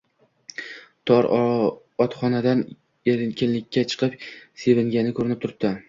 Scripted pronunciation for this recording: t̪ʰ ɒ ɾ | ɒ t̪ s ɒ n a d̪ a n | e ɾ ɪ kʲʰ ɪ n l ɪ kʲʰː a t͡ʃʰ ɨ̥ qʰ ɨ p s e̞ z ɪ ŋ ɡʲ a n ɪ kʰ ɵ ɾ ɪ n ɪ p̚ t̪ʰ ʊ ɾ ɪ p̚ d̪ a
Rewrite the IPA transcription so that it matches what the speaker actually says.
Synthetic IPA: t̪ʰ ɒ ɾ | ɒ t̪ χ ɒ n a d̪ a n | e ɾ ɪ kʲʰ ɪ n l ɪ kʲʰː a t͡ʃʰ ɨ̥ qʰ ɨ p s e̞ v ɪ ŋ ɡʲ a n ɪ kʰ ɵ ɾ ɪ n ɪ p̚ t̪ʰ ʊ ɾ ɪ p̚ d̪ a